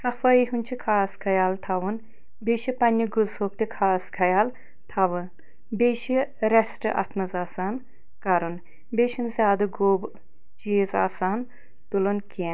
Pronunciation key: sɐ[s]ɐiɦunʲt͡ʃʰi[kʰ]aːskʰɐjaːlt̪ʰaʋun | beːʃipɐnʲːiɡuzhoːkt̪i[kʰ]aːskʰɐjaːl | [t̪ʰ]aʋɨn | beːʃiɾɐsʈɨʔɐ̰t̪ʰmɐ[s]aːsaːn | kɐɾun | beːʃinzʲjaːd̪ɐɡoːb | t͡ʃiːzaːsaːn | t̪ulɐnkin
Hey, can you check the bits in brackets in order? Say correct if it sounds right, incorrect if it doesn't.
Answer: incorrect: f, correct, correct, correct, incorrect: z

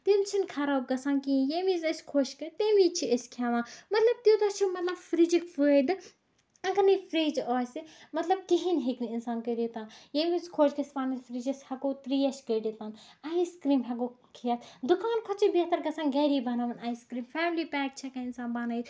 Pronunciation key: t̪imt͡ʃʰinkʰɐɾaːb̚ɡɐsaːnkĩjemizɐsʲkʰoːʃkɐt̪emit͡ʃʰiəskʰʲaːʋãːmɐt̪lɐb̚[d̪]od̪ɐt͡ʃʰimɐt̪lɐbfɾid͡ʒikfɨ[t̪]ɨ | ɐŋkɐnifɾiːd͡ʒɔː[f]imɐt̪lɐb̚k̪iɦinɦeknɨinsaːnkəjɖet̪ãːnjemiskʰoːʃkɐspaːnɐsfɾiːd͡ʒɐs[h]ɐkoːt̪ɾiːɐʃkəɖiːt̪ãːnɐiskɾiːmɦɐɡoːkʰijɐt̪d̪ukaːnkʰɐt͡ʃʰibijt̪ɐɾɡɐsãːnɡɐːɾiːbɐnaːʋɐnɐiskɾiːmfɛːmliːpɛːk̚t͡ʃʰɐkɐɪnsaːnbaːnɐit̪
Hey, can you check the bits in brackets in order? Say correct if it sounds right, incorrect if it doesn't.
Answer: incorrect: t̪, incorrect: d̪, incorrect: s, correct

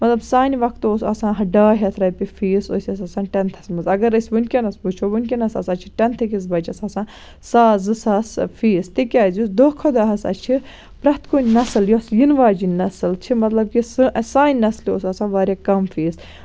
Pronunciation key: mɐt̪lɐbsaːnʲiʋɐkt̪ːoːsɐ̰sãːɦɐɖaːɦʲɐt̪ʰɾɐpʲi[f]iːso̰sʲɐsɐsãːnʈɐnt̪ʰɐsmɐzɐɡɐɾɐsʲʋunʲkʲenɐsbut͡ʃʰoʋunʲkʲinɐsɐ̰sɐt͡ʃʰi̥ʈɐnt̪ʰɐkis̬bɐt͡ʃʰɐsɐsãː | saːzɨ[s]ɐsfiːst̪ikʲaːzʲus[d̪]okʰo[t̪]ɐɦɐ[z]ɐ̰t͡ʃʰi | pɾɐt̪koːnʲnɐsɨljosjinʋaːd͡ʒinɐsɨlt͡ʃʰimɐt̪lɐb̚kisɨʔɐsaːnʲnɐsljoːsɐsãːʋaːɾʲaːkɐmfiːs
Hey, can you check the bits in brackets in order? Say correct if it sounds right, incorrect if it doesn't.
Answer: correct, correct, correct, incorrect: d̪, incorrect: s

